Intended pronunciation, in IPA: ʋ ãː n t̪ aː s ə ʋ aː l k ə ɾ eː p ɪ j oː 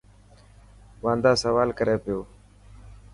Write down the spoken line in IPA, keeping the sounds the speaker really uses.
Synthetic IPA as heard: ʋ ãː n d̪ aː s ə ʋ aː l k ə ɾ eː p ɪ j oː